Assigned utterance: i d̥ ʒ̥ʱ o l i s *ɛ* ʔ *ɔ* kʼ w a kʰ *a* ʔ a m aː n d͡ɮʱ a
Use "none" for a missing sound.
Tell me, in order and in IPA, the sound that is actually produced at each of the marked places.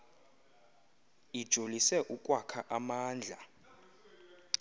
ɛ, u, a

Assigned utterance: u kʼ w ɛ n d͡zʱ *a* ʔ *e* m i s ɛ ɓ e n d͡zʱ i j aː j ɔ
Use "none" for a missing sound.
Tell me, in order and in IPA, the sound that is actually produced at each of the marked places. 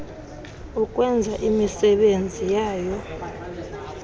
a, i

